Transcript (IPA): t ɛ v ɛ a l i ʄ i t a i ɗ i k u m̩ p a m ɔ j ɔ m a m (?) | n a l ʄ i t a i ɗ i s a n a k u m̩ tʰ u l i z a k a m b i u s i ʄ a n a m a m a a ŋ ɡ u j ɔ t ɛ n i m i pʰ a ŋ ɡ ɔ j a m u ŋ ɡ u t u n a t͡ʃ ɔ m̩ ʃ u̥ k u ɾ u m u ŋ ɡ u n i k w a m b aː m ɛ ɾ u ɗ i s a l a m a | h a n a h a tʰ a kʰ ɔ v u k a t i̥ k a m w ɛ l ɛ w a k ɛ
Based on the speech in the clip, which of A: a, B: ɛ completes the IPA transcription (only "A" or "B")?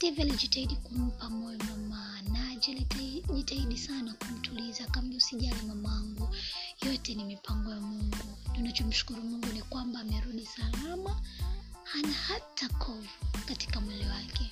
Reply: A